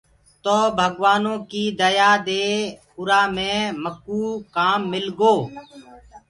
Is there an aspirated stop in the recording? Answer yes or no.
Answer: no